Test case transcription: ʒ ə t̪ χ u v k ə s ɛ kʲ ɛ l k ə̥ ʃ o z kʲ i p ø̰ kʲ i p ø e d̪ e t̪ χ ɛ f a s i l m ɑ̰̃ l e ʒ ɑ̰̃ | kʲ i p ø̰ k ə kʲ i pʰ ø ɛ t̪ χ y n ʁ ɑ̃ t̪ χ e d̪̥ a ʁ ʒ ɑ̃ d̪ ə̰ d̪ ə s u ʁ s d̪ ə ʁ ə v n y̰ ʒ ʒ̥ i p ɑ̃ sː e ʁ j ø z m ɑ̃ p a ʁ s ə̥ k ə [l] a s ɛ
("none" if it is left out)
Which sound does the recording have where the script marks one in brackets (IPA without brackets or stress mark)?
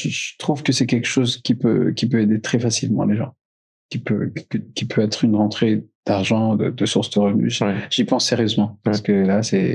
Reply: l